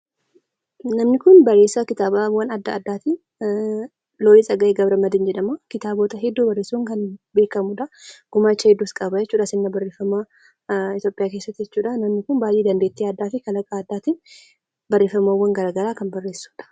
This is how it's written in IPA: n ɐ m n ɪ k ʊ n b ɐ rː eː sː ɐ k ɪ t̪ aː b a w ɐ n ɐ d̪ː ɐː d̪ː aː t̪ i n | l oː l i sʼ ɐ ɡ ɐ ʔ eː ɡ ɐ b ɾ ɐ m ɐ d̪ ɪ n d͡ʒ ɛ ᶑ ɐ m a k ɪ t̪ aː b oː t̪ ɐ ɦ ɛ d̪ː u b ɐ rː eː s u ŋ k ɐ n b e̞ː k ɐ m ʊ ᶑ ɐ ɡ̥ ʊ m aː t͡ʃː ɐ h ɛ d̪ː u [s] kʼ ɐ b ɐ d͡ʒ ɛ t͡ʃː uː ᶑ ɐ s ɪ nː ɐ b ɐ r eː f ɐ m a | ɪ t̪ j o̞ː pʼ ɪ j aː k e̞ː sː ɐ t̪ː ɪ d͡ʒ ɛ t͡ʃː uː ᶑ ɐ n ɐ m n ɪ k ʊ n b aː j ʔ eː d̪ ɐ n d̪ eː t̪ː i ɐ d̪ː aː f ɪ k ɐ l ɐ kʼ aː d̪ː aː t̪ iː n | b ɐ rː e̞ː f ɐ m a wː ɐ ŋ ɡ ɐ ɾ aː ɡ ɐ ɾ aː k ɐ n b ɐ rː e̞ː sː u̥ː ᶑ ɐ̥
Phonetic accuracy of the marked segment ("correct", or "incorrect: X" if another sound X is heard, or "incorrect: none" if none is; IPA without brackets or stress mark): correct